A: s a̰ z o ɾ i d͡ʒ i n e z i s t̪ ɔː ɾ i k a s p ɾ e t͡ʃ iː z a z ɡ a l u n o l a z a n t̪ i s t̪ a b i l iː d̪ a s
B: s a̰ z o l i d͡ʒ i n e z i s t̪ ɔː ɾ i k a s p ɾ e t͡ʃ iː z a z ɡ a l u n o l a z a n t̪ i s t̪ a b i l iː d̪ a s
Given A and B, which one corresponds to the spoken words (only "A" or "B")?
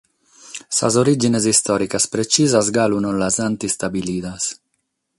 A